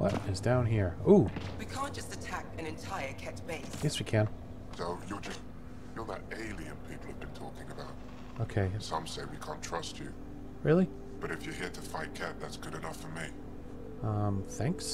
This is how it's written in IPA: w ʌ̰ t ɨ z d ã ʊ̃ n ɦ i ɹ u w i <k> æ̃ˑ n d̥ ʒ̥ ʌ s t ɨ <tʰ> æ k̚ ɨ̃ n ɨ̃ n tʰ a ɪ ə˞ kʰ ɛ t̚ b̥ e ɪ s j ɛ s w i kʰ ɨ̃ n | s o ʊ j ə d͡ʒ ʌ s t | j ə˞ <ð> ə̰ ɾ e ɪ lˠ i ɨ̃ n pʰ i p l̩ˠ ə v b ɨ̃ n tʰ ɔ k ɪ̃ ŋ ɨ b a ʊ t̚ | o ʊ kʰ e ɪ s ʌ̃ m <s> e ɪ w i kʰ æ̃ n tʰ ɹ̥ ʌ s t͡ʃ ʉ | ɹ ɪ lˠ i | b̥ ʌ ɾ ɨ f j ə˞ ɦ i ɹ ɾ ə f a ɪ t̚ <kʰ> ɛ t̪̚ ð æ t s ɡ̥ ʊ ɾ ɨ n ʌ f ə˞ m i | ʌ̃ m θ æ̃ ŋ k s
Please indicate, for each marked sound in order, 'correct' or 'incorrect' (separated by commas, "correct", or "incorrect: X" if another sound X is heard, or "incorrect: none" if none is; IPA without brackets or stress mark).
incorrect: kʰ, correct, correct, correct, correct